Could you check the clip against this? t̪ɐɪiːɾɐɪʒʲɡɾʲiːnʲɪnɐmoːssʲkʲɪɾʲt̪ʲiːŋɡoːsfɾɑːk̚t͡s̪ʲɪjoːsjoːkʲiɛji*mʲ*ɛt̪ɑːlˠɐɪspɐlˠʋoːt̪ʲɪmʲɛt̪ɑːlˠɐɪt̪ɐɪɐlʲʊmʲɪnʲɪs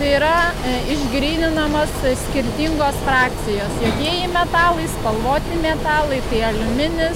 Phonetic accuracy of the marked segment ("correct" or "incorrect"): correct